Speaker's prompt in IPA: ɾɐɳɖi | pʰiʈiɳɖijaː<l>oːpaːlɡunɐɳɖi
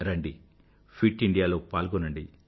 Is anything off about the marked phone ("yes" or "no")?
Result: no